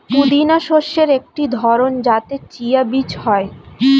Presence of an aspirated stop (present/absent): absent